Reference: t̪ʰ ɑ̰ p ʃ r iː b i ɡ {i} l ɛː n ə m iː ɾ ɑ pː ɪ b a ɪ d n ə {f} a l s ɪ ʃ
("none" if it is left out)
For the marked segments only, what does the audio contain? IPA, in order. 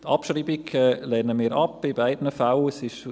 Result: ɛ, f

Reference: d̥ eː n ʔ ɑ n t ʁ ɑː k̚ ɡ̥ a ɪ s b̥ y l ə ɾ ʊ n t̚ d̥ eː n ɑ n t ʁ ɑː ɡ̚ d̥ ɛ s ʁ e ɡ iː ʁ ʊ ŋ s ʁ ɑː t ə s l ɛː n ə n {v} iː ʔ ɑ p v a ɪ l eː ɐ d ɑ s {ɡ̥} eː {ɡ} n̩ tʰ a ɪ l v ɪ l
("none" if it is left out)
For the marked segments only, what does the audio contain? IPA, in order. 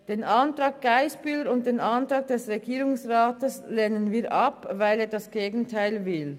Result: v, ɡ̥, ɡ

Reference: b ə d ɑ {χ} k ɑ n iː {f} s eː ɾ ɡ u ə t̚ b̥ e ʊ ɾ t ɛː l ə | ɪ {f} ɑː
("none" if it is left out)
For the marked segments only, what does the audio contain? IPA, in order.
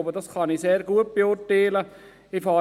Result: s, none, f

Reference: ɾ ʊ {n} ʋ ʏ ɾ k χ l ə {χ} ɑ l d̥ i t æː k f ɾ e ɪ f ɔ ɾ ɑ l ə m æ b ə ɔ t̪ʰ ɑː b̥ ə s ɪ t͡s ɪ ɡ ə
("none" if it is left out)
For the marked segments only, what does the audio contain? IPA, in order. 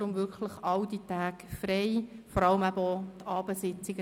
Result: m, χ

